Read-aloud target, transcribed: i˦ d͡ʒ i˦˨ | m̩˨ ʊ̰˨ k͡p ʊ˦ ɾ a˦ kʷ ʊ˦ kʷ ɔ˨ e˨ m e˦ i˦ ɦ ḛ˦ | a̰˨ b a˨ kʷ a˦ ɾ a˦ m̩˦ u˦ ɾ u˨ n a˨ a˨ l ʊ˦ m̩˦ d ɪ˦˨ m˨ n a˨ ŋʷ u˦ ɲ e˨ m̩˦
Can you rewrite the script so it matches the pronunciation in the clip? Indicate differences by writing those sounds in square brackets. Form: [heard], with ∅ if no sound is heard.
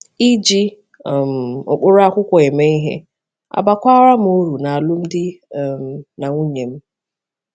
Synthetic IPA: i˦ d͡ʒ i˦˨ | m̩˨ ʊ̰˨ k͡p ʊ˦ ɾ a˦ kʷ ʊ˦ kʷ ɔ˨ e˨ m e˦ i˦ ɦ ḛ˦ | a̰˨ b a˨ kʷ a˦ ɾ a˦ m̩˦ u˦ ɾ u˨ n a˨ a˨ l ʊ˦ m̩˦ d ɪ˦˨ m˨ n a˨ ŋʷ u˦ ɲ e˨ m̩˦